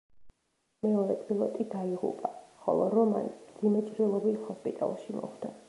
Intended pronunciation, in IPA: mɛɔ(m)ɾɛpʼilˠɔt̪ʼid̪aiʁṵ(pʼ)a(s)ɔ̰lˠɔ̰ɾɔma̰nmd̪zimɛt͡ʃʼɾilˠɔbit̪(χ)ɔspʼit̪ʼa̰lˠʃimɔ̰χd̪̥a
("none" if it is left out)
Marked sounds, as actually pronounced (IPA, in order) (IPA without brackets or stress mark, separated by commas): none, pʼ, χ, h